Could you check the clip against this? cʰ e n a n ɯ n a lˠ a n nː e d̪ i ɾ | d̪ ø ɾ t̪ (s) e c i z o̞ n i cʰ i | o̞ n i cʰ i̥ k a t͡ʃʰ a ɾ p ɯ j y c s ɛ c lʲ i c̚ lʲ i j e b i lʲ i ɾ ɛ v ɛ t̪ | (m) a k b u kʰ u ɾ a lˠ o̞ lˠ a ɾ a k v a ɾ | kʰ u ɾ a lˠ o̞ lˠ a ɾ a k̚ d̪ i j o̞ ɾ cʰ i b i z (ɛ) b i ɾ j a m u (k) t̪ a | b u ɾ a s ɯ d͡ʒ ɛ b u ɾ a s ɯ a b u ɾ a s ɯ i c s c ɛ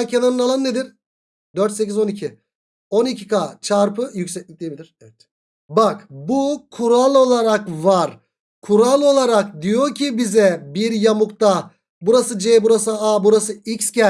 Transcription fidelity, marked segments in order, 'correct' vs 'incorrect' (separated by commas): correct, incorrect, correct, correct